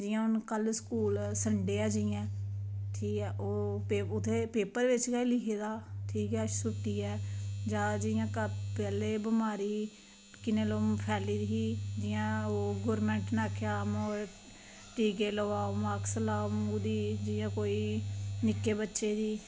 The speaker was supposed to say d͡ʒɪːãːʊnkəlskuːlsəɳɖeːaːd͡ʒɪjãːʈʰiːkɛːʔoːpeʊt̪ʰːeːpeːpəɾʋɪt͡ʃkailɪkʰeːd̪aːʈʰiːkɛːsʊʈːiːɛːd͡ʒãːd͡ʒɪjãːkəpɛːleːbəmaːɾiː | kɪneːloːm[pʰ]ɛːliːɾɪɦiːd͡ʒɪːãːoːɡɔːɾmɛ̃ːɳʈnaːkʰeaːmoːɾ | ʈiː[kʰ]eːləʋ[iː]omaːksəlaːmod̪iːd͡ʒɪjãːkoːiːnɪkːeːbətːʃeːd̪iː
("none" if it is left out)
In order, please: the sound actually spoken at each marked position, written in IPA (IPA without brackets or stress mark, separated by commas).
pʰ, k, aː